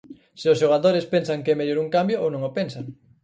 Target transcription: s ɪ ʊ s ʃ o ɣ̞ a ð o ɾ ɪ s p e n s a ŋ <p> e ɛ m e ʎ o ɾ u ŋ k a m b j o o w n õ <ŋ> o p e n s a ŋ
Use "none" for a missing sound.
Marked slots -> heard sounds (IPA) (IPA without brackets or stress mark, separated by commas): k, ŋ